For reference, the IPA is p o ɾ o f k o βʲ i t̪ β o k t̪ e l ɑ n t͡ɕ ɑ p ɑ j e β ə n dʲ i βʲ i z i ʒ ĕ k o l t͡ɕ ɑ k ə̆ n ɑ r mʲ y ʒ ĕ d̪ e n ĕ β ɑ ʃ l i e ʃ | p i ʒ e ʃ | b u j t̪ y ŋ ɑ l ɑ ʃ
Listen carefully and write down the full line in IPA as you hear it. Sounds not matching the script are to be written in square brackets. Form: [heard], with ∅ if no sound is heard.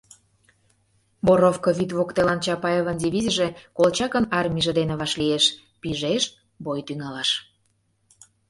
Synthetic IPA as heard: [b] o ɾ o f k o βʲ i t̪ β o k t̪ e l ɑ n t͡ɕ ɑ p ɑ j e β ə n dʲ i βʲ i z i ʒ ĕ k o l t͡ɕ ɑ k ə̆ n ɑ r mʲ [i] ʒ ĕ d̪ e n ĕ β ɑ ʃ l i e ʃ | p i ʒ e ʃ | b [o] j t̪ y ŋ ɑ l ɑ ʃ